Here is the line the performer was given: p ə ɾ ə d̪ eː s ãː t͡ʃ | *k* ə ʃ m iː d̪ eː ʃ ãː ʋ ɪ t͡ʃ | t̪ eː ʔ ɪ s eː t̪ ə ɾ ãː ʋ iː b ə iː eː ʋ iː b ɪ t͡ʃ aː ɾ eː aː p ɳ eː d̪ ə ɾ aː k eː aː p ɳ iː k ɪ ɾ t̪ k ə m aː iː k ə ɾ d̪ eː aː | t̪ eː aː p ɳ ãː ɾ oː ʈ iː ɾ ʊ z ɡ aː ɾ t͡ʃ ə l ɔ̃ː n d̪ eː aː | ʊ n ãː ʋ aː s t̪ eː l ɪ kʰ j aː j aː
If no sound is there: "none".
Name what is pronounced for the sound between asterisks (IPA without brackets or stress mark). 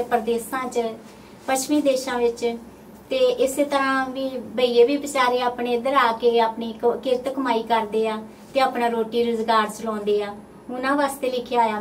p